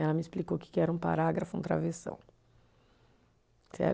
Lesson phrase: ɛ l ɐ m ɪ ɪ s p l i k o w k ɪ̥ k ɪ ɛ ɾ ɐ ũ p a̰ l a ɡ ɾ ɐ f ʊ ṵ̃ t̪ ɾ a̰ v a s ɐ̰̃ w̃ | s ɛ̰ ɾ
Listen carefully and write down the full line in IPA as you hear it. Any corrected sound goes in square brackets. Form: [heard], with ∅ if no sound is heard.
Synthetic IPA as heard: ɛ l ɐ m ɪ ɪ s p l i k o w k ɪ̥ k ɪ ɛ ɾ ɐ ũ p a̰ [ɾ] a ɡ ɾ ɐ f ʊ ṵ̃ t̪ ɾ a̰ v [e] s ɐ̰̃ w̃ | s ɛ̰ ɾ